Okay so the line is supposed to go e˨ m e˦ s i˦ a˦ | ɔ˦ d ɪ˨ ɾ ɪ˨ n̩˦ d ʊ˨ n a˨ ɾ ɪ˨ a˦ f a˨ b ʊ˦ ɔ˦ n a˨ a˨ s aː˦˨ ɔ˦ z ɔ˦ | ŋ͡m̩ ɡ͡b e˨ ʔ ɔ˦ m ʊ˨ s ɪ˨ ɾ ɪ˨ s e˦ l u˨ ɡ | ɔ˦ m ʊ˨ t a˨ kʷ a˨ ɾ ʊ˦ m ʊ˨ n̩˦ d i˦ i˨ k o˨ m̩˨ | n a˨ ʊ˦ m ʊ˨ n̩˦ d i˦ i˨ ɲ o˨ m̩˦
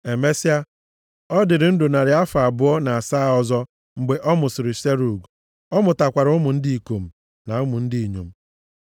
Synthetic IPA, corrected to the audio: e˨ m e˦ s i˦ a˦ | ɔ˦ d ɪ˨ ɾ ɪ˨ n̩˦ d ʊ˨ n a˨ ɾ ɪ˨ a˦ f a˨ b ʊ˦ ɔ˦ n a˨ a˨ s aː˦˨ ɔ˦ z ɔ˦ | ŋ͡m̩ ɡ͡b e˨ ʔ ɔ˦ m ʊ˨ s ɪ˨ ɾ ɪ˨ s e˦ ɾ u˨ ɡ | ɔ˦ m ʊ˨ t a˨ kʷ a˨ ɾ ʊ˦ m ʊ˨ n̩˦ d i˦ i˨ k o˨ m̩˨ | n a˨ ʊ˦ m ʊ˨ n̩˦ d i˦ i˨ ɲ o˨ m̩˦